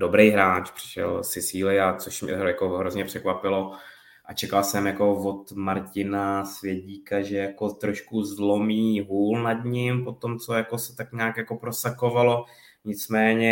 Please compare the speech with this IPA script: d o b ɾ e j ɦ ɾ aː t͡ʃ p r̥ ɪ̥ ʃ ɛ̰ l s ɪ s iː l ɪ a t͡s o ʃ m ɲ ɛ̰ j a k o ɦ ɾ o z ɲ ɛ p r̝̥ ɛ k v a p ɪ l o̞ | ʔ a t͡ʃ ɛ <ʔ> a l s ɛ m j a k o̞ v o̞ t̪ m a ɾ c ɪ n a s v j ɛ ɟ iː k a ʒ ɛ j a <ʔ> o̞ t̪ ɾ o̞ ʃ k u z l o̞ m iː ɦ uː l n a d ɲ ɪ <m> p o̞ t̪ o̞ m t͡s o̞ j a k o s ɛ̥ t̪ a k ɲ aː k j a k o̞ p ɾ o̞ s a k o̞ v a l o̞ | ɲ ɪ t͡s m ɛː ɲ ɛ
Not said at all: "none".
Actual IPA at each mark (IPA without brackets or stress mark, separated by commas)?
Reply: k, k, m